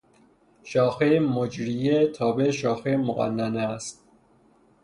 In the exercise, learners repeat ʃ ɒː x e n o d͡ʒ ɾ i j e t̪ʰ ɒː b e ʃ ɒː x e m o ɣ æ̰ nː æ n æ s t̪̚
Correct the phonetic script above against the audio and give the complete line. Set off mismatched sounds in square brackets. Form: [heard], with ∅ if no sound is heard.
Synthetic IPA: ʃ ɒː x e [m] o d͡ʒ ɾ i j e t̪ʰ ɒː b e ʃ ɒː x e m o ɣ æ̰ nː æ n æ s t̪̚